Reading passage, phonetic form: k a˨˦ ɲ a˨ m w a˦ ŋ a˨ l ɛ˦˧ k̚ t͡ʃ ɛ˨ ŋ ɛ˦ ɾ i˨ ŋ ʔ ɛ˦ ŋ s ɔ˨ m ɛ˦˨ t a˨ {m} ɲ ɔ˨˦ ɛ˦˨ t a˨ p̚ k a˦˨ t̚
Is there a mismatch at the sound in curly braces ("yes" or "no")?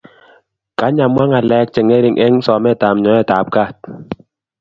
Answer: no